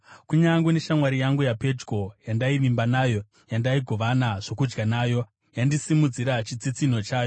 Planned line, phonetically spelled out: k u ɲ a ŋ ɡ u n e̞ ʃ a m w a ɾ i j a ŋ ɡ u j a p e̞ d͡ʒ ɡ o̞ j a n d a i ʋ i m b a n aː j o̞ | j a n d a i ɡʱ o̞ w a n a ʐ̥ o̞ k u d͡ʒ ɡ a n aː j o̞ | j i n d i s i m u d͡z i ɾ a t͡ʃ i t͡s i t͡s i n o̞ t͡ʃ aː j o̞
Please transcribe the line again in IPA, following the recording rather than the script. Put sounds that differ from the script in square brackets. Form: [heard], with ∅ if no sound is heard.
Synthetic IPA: k u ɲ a ŋ ɡ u n e̞ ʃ a m w a ɾ i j a ŋ ɡ u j a p e̞ d͡ʒ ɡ o̞ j a n d a i ʋ i m b a n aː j o̞ | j a n d a i ɡʱ o̞ [ʋ] a n a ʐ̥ o̞ k u d͡ʒ ɡ a n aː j o̞ | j [a] n d i s i m u d͡z i ɾ a t͡ʃ i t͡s i t͡s i n o̞ t͡ʃ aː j o̞